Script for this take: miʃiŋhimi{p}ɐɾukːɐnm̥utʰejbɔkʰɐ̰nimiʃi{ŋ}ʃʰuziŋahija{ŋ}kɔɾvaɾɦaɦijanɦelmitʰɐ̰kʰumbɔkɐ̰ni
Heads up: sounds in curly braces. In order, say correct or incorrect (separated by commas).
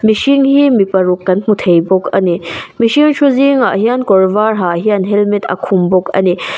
correct, correct, incorrect